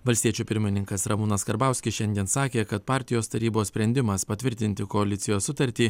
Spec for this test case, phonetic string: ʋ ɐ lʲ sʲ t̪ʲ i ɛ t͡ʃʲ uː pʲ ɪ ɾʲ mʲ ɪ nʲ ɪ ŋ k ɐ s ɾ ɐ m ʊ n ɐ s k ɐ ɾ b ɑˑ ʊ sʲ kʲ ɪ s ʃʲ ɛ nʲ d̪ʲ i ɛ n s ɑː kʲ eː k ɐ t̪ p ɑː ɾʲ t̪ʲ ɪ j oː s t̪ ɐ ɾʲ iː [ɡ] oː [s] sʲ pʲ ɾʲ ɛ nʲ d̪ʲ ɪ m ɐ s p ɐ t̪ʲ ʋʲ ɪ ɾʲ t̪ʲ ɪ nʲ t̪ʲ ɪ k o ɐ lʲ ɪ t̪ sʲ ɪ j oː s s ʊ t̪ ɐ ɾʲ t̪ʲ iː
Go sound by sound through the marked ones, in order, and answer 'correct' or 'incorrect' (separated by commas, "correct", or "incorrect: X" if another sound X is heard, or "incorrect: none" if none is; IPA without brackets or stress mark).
incorrect: b, correct